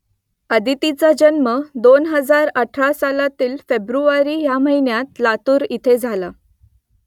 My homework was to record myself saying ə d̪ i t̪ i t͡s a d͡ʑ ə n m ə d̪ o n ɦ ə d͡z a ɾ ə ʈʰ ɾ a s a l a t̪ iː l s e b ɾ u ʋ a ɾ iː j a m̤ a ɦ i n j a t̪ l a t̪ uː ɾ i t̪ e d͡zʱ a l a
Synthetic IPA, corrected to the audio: ə d̪ i t̪ i t͡s a d͡ʑ ə n m ə d̪ o n ɦ ə d͡z a ɾ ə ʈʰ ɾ a s a l a t̪ iː l f e b ɾ u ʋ a ɾ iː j a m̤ ə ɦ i n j a t̪ l a t̪ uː ɾ i t̪ʰ e d͡zʱ a l a